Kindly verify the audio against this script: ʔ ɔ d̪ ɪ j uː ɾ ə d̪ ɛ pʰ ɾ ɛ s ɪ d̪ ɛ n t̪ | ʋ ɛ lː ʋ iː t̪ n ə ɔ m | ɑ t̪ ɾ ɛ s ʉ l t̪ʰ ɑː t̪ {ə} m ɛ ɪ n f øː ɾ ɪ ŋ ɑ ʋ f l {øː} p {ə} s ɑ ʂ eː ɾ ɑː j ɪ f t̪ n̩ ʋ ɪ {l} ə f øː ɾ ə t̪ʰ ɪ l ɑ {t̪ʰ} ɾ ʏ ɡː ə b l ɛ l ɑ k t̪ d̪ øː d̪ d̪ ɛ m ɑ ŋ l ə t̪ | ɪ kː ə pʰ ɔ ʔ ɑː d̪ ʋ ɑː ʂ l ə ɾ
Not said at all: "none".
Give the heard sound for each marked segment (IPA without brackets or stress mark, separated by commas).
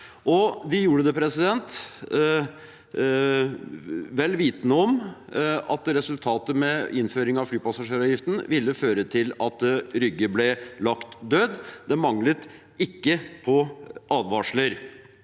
ə, yː, ɑ, lː, t̪